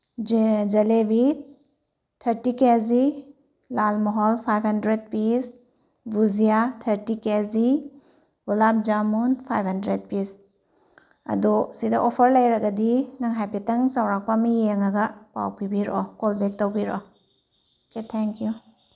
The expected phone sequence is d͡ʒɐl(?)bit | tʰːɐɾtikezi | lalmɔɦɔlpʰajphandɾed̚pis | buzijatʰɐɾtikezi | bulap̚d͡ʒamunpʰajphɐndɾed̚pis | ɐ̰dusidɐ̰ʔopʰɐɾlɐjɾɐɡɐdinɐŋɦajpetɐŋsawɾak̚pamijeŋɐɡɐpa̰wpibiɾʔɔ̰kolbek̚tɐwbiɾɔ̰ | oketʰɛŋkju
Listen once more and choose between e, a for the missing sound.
e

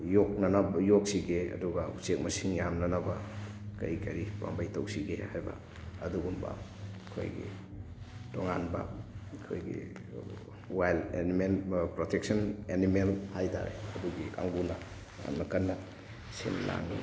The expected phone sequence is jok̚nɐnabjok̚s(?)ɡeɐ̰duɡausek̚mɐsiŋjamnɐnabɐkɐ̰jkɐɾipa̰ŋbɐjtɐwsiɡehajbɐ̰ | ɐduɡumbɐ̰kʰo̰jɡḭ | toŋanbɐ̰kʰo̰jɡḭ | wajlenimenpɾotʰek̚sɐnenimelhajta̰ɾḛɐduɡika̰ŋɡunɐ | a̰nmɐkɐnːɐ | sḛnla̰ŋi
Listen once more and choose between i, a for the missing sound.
i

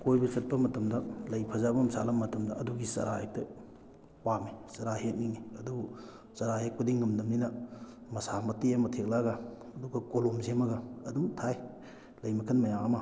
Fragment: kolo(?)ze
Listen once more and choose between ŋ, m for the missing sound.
m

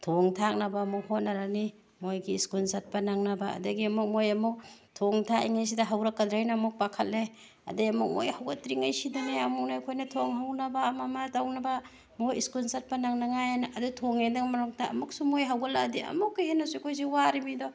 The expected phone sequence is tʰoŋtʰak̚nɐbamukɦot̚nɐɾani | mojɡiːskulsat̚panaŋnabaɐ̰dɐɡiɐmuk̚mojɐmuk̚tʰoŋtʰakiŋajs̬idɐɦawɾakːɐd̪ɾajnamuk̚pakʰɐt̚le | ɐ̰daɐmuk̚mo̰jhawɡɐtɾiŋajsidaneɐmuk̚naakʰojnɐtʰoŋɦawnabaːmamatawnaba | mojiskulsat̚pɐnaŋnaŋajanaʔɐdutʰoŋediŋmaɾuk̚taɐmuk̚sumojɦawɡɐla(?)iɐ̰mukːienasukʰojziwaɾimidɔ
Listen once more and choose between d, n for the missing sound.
d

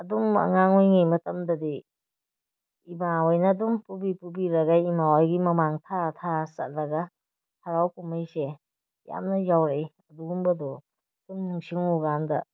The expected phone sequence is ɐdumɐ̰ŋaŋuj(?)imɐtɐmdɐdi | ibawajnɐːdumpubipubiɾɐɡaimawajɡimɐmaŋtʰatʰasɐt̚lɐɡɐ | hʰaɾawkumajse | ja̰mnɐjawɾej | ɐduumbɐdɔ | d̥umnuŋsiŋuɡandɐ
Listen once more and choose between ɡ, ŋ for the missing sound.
ŋ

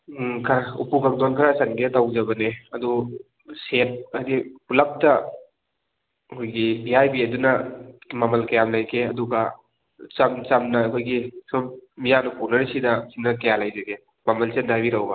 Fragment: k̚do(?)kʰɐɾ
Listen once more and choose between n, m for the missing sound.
n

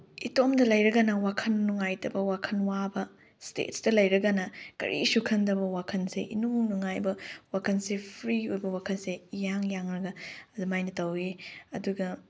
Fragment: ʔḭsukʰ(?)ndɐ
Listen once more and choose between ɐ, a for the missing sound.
ɐ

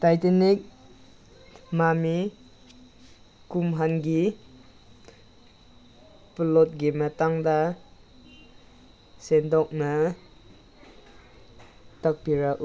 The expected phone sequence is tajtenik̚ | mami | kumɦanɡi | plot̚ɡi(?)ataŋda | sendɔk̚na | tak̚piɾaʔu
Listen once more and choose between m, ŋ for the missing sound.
m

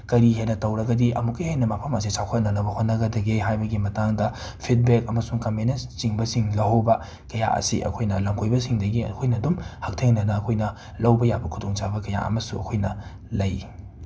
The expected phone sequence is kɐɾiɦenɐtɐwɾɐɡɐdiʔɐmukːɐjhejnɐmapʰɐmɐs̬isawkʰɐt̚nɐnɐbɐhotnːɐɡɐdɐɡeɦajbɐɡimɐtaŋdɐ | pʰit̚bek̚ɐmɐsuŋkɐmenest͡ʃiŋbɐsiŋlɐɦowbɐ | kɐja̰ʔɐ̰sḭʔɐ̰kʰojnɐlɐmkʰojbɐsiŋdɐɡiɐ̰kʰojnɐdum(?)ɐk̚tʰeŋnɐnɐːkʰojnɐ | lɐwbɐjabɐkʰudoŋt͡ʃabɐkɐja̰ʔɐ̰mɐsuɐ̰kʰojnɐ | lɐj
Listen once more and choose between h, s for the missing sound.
h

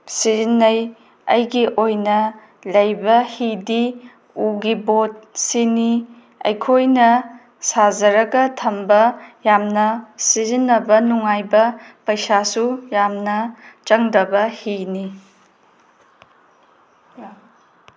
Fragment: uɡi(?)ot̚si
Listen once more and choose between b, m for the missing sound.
b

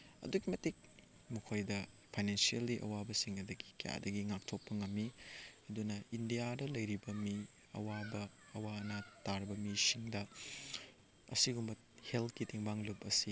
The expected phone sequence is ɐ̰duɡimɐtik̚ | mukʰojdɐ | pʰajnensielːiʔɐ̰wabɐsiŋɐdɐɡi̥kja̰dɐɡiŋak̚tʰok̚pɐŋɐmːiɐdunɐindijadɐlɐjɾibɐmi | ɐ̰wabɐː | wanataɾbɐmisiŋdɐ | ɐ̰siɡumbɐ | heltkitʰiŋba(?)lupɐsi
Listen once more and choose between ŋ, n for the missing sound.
ŋ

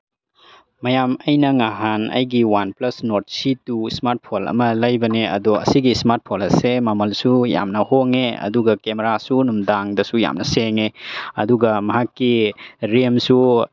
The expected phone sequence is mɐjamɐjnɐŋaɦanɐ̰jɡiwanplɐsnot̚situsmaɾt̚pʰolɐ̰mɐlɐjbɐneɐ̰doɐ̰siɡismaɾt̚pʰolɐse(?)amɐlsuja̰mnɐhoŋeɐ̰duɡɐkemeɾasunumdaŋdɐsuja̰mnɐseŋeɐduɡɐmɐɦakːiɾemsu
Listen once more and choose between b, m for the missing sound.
m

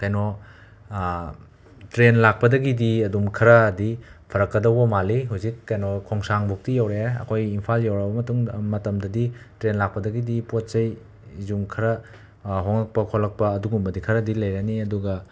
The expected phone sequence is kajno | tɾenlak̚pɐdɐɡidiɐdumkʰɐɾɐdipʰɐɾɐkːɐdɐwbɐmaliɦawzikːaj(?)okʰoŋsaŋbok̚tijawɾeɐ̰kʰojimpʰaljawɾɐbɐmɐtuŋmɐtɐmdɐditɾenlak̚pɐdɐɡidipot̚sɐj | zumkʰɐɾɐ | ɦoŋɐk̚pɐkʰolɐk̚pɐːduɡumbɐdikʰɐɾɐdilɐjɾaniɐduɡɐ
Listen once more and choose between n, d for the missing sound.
n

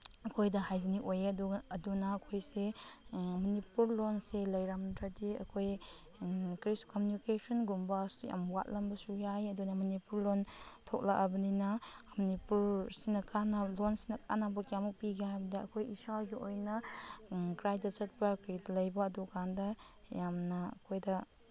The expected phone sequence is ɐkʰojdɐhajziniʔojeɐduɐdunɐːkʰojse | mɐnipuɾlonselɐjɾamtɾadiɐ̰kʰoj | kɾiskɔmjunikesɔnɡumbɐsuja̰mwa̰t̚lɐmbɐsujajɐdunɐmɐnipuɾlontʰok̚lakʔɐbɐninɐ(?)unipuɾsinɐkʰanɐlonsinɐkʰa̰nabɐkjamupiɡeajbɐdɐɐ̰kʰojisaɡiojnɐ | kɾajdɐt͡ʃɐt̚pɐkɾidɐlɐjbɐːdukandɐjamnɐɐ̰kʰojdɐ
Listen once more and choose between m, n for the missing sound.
m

